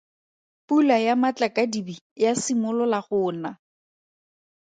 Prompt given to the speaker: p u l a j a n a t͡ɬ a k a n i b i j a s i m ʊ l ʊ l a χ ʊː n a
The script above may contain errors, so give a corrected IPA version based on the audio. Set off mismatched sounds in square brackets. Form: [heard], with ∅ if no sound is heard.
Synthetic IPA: p u l a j a [m] a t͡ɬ a k a [d] i b i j a s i m ʊ l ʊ l a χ ʊː n a

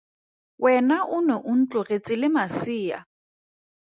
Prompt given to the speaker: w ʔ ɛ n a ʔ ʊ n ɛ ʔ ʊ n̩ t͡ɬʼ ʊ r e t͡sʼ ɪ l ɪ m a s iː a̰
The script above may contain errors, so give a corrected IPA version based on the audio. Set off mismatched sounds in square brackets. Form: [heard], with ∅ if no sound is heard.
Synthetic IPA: w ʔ ɛ n a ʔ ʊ n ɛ ʔ ʊ n̩ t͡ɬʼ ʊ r e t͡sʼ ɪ l ɪ m a s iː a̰

